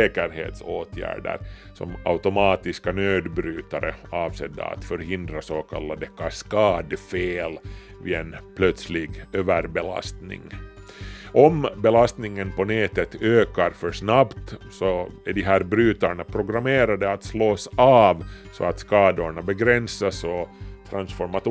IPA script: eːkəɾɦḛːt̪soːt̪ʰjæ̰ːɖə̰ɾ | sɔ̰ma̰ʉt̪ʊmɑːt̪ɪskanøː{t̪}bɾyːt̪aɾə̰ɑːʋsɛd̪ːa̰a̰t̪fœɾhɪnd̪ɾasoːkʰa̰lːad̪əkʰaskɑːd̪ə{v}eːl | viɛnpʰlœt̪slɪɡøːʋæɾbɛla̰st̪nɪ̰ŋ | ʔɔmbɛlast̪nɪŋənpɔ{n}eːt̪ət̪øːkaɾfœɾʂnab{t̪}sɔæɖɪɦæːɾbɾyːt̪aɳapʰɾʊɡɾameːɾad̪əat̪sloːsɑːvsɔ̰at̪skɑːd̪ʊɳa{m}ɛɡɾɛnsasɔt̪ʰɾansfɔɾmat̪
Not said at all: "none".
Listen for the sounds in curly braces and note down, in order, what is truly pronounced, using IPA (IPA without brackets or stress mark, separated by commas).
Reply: d̪, f, n, t̪, b